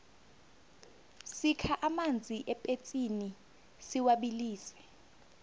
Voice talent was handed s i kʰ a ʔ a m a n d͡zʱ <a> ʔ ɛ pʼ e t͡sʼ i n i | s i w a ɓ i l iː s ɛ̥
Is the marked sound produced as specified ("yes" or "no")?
no